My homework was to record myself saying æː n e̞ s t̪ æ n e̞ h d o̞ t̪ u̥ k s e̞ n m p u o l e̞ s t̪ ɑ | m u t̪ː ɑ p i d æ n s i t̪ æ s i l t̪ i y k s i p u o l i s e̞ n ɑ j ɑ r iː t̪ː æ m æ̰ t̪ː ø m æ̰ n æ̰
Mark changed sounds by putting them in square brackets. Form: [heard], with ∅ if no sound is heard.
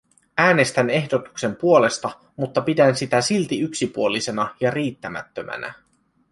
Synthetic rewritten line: æː n e̞ s t̪ æ n e̞ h d o̞ t̪ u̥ k s e̞ [∅] m p u o l e̞ s t̪ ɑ | m u t̪ː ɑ p i d æ n s i t̪ æ s i l t̪ i y k s i p u o l i s e̞ n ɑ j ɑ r iː t̪ː æ m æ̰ t̪ː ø m æ̰ n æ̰